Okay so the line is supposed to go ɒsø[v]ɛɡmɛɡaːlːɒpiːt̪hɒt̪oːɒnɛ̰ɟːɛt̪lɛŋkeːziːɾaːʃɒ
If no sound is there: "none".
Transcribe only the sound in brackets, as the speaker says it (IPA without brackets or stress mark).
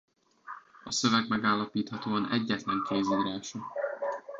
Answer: v